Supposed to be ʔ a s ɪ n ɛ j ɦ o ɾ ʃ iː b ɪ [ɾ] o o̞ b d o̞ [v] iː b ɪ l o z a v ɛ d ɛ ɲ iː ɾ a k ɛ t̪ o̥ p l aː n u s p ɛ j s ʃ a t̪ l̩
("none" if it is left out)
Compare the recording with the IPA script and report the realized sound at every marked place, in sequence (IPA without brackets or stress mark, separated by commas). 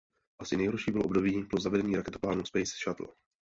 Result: l, b